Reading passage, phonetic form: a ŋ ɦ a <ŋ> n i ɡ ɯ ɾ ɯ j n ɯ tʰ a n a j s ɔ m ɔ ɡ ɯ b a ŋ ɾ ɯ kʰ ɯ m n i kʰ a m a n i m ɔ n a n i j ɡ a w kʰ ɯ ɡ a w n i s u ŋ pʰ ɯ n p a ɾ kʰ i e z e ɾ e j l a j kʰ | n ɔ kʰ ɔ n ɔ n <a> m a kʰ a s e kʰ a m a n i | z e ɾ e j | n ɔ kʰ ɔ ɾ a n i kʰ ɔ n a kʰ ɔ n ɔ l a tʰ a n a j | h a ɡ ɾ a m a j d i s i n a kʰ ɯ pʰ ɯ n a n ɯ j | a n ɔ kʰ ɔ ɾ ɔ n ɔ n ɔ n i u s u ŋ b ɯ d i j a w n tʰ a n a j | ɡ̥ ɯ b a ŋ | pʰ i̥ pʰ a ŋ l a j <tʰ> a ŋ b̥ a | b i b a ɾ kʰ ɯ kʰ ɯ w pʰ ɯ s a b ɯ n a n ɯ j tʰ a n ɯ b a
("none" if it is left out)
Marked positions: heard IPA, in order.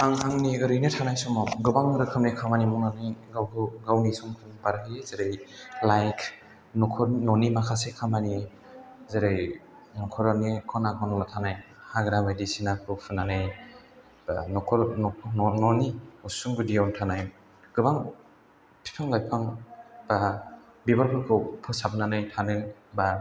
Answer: ŋ, i, pʰ

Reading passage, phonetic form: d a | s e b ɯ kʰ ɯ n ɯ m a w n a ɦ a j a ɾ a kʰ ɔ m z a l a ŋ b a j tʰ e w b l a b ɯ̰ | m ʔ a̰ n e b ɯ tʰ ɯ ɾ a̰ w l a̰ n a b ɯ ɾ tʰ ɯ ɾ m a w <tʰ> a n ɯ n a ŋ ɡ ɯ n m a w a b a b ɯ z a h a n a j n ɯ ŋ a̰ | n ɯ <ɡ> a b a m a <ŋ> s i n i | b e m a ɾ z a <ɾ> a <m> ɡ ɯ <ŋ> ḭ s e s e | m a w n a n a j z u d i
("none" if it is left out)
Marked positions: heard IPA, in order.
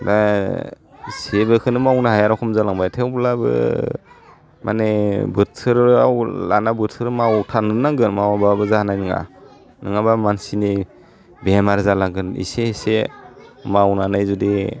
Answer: tʰ, ŋ, n, l, ŋ, n

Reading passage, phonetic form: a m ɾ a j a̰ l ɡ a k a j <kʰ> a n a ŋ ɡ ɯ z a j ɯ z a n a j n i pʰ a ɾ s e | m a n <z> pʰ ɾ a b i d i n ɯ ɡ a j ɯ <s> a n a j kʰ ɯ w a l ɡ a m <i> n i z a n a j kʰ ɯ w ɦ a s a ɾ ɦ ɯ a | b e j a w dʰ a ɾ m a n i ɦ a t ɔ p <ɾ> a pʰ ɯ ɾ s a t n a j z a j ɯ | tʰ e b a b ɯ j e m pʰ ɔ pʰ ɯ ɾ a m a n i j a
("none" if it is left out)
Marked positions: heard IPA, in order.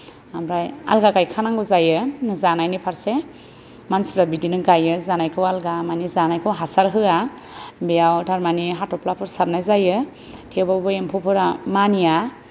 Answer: kʰ, s, z, a, l

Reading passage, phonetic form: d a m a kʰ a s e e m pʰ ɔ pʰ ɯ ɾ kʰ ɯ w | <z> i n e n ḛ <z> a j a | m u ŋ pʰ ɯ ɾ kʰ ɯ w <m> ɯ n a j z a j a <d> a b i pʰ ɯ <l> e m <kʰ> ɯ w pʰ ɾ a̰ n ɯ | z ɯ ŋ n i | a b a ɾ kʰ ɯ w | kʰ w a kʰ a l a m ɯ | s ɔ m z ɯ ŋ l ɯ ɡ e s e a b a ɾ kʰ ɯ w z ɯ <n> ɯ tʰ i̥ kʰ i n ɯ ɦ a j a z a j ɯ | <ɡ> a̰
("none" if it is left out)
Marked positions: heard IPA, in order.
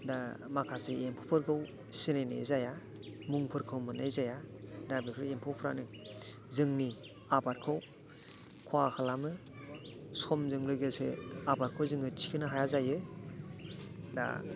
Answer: s, z, m, d, ɾ, pʰ, ŋ, d

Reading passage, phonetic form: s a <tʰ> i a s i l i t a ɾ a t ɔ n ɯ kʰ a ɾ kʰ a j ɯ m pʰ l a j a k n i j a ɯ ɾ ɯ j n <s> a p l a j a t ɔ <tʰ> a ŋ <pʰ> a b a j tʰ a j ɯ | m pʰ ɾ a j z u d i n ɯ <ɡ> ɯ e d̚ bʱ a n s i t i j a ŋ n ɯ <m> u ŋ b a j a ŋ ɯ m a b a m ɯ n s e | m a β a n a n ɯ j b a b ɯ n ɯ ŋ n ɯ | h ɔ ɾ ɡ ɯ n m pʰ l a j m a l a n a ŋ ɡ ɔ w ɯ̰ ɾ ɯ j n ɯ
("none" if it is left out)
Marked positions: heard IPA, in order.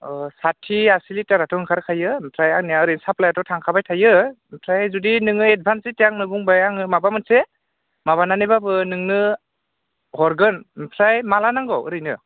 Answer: tʰ, s, tʰ, kʰ, ŋ, b

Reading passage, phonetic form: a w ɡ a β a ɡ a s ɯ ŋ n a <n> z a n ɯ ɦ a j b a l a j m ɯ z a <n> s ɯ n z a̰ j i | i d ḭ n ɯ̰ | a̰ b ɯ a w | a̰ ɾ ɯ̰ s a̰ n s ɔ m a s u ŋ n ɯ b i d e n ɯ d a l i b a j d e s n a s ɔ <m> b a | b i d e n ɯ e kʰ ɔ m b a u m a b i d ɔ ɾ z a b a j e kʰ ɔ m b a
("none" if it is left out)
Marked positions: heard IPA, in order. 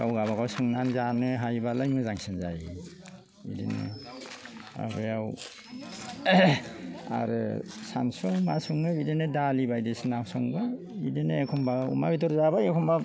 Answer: n, ŋ, ŋ

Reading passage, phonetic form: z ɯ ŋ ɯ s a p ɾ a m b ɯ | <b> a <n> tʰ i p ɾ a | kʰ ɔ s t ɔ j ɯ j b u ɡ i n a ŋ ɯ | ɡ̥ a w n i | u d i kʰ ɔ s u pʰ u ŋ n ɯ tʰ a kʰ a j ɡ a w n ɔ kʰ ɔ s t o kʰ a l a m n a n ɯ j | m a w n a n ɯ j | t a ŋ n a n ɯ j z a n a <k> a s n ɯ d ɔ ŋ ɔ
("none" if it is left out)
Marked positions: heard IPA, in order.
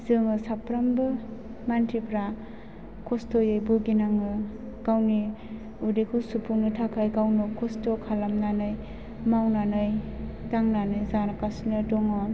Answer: m, n, k

